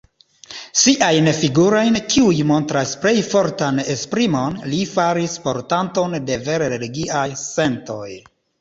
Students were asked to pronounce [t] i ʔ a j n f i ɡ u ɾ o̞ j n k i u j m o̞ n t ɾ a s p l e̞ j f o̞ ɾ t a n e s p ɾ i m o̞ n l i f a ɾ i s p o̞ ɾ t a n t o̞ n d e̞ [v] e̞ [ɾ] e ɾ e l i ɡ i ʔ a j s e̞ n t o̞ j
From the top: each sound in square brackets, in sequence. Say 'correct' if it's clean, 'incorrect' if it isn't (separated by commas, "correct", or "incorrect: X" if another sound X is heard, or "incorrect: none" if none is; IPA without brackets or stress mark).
incorrect: s, correct, correct